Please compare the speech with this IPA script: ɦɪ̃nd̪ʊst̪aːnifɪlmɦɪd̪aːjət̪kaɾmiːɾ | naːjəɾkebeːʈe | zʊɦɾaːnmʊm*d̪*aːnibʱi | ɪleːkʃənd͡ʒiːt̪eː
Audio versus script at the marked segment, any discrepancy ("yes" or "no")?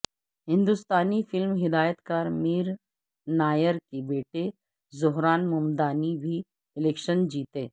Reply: no